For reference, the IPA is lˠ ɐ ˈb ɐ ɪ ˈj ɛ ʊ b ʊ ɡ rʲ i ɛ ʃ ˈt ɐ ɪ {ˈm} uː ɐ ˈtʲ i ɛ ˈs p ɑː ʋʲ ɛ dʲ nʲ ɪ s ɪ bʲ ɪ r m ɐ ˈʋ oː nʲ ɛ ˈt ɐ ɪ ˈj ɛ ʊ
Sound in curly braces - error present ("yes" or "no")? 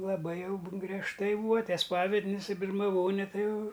yes